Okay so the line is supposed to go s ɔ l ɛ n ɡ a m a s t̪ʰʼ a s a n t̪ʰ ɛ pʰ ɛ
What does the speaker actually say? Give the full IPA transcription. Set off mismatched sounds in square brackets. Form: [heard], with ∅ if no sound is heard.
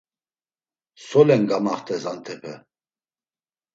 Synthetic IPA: s ɔ l ɛ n ɡ a m a [χ] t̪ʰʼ [ɛ] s a n t̪ʰ ɛ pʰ ɛ

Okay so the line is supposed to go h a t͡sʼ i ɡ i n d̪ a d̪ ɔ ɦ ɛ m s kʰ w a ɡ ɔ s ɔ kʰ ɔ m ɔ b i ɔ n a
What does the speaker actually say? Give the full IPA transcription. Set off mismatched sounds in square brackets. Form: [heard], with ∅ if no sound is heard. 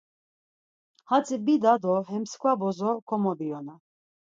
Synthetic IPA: h a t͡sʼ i [b] i [∅] d̪ a d̪ ɔ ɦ ɛ m s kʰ w a [b] ɔ [z] ɔ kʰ ɔ m ɔ b i ɔ n a

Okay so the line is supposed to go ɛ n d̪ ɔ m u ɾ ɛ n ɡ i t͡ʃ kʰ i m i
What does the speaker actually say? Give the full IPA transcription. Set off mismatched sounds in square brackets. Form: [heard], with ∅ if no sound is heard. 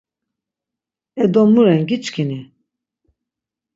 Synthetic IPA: ɛ [∅] d̪ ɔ m u ɾ ɛ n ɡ i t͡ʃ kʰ i [n] i

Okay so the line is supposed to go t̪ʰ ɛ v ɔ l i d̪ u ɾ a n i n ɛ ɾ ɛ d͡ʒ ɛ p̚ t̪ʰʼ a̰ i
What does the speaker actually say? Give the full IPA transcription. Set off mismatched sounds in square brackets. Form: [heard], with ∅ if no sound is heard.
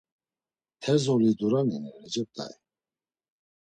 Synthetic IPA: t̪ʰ ɛ [z] ɔ l i d̪ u ɾ a n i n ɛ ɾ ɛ d͡ʒ ɛ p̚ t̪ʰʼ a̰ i

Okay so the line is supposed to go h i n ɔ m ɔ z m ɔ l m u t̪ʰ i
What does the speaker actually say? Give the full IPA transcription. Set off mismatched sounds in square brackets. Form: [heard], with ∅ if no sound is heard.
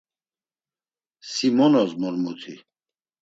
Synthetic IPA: [s] i [m] ɔ [n] ɔ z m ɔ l m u t̪ʰ i

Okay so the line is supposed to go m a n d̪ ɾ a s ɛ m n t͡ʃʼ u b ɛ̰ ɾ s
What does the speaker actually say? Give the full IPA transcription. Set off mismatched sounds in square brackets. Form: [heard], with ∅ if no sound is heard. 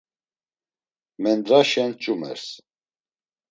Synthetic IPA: m [ɛ] n d̪ ɾ a [ʃ] ɛ [∅] n t͡ʃʼ u [m] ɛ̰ ɾ s

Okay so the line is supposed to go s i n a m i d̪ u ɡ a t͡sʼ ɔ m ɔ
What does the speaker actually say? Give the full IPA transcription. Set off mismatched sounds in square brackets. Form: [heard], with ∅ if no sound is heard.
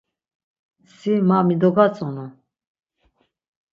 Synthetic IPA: s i [m] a m i d̪ [ɔ] ɡ a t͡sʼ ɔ [n] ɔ

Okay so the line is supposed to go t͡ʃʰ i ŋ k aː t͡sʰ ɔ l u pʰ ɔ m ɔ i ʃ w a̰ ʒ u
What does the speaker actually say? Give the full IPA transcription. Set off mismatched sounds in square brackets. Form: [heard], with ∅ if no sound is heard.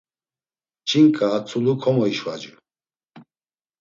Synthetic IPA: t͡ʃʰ i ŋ [kʼ] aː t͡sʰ [u] l u [kʰ] ɔ m ɔ i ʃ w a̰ [d͡ʒ] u

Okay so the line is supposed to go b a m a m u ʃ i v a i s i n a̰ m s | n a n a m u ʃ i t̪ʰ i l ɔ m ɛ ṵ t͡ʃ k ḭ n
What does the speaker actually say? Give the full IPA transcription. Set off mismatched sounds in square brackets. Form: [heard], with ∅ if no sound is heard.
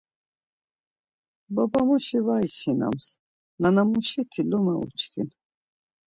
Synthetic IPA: b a [b] a m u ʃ i v a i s i n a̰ m s | n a n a m u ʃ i t̪ʰ i l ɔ m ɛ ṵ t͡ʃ k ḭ n

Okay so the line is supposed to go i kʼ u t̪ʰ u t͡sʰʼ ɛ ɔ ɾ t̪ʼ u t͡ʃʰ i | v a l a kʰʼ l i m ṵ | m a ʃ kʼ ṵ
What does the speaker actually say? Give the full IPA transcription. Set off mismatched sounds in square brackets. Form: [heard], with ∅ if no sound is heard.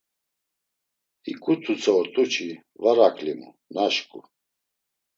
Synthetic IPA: i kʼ u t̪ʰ u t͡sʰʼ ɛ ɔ ɾ t̪ʼ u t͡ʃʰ i | v a [ɾ] a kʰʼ l i m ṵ | [n] a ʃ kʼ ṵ

